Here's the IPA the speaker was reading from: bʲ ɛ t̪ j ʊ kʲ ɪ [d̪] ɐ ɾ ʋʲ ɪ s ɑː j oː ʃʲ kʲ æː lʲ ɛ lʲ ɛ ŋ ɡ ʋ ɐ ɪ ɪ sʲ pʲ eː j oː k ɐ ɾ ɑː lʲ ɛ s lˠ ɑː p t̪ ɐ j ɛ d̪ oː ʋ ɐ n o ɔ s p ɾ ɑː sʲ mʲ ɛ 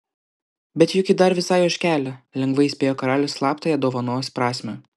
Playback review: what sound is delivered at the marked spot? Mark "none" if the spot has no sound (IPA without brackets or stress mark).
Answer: d̪